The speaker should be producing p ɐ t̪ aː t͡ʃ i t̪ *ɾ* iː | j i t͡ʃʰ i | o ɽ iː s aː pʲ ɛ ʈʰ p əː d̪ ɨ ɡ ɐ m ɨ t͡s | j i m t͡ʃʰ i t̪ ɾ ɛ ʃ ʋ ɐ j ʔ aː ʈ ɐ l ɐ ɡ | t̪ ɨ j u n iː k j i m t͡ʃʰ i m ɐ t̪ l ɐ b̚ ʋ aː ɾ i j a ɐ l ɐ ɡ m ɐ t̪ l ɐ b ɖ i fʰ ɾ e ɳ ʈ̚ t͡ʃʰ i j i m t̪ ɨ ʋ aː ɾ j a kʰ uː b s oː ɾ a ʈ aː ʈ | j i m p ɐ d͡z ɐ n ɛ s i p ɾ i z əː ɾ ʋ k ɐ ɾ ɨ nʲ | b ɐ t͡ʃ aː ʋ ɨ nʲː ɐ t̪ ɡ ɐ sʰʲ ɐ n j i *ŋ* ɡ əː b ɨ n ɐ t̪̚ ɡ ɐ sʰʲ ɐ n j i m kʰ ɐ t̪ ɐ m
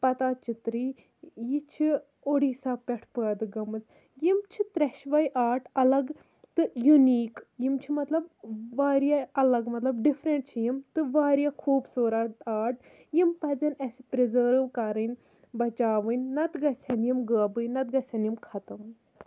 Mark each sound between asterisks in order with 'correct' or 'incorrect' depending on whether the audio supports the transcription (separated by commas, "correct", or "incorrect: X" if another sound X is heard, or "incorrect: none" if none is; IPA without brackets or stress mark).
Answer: correct, incorrect: m